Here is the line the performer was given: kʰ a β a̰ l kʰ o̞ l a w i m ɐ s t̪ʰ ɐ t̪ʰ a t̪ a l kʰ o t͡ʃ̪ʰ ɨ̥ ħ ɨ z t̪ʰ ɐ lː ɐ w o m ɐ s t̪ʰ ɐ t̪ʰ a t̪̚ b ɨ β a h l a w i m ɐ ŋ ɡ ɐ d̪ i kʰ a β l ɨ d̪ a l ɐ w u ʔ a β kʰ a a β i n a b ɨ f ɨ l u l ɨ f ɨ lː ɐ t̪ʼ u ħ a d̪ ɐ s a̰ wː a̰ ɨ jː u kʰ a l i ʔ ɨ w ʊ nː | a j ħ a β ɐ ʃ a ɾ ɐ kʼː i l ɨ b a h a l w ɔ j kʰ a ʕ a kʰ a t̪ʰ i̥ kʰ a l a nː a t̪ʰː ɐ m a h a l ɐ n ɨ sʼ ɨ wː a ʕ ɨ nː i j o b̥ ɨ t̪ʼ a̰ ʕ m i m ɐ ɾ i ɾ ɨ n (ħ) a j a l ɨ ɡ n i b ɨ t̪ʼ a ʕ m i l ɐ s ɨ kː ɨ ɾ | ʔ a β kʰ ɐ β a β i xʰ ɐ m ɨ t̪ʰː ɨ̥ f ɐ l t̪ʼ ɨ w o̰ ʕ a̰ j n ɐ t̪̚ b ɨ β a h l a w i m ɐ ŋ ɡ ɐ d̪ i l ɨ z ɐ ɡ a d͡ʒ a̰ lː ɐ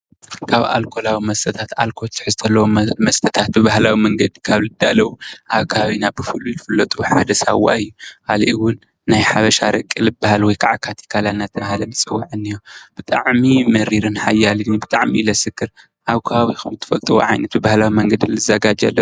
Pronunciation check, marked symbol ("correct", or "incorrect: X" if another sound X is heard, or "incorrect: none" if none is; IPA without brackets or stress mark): correct